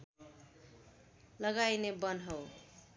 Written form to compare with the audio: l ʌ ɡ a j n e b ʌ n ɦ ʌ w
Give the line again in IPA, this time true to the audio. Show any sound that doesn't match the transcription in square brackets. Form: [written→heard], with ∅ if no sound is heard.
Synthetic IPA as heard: l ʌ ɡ a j n e b ʌ n ɦ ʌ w